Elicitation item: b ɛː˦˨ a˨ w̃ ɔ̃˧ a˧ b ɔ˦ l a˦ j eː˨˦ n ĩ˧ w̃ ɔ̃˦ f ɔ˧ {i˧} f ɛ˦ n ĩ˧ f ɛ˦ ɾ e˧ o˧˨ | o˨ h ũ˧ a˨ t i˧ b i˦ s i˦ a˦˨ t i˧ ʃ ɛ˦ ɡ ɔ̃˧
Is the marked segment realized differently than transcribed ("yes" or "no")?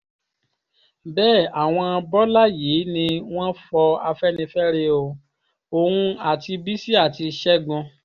yes